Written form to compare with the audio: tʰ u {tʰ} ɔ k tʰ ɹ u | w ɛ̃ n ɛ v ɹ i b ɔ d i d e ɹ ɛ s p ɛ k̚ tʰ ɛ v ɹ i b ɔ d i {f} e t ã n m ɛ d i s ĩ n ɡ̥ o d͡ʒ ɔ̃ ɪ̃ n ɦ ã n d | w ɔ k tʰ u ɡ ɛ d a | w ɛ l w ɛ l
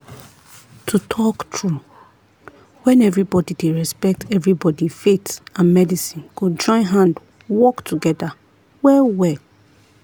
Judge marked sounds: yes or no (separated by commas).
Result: yes, yes